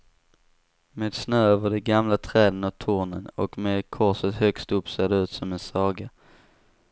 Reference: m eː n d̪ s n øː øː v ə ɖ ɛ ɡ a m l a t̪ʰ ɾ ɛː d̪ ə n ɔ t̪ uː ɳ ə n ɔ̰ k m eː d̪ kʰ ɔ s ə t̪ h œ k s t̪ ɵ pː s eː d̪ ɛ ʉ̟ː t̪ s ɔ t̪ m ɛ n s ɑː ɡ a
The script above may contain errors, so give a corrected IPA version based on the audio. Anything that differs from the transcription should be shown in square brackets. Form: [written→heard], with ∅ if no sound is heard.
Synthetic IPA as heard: m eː [n→∅] d̪ s n øː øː v ə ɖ ɛ ɡ a m l a t̪ʰ ɾ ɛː d̪ ə n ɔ [t̪→t̪ʰ] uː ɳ ə n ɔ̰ k m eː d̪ kʰ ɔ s ə t̪ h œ k s t̪ ɵ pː s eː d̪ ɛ ʉ̟ː t̪ s ɔ [t̪→∅] m ɛ n s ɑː ɡ a